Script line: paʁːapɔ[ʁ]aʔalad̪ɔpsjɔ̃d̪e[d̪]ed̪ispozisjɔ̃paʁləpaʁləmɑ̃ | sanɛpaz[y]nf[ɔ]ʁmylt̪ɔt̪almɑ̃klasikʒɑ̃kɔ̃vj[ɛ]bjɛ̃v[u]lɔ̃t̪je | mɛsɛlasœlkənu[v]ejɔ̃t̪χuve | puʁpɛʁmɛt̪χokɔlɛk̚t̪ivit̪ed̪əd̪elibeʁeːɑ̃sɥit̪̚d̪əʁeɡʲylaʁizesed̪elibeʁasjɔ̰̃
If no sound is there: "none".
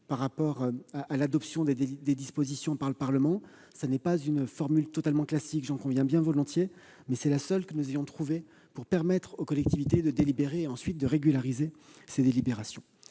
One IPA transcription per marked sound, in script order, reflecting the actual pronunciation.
ʁ, d̪, y, ɔ, ɛ̃, ɔ, z

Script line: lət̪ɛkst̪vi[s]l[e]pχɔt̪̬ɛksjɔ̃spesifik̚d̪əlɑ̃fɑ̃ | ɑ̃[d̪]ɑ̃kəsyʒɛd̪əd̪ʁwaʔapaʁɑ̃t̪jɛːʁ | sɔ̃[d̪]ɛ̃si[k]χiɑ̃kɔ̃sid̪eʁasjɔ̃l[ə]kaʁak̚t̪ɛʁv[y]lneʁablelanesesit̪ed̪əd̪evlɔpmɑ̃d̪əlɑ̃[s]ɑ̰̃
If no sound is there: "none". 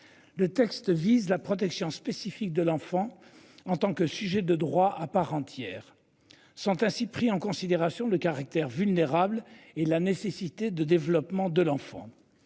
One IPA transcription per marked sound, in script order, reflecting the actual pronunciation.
z, a, t̪, t̪, p, ə, y, f

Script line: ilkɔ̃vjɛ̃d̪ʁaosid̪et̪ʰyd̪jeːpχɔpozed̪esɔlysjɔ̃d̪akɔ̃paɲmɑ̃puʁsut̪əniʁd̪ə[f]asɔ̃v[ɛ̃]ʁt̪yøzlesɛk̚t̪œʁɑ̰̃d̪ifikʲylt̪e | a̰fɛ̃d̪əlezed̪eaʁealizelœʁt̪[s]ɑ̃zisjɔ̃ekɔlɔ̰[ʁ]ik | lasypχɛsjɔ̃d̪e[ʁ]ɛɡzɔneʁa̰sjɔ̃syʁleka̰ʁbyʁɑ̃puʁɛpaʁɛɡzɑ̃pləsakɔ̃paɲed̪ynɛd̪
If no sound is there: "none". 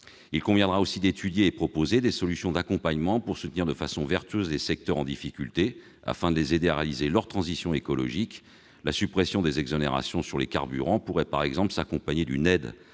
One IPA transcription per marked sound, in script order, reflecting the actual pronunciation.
f, ɛ, χ, ʒ, z

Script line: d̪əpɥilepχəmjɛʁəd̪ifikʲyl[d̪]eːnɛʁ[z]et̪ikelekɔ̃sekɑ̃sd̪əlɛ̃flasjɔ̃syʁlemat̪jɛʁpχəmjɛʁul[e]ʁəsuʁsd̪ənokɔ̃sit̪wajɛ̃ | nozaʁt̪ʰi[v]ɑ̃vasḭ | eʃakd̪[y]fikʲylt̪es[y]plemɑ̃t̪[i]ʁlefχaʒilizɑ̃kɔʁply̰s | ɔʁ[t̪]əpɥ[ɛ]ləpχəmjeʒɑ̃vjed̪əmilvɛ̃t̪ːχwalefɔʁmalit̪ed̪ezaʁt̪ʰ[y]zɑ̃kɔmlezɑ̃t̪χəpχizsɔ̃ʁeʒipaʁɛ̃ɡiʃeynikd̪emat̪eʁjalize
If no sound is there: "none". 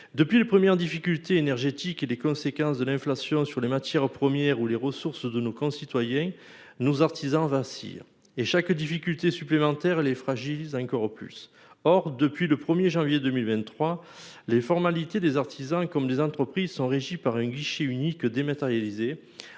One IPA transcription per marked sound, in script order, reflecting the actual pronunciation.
t̪, ʒ, e, z, i, y, ɛ, d̪, i, i

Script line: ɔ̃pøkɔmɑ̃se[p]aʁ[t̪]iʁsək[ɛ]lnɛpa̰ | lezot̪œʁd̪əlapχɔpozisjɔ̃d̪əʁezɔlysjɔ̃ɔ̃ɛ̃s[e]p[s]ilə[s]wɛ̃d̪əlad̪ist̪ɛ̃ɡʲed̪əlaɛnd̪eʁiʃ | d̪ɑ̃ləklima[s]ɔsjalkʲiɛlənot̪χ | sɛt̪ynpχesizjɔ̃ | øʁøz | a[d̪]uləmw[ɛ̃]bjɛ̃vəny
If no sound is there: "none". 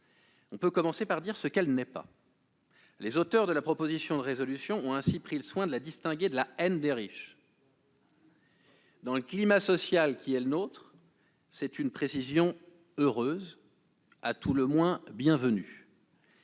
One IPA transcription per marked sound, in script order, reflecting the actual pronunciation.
p, d̪, ɛ, i, χ, s, s, t̪, ɛ̃

